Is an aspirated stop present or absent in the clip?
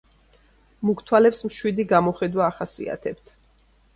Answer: present